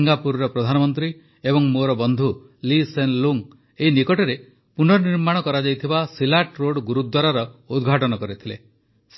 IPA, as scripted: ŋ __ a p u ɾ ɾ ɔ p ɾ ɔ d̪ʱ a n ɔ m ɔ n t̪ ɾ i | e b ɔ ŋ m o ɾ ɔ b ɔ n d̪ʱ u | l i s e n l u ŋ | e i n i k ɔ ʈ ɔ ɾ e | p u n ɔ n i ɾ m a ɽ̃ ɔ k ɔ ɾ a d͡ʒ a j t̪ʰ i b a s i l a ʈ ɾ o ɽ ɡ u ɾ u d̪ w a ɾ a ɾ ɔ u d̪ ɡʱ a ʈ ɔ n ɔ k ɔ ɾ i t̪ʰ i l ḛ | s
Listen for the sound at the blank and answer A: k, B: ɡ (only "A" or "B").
B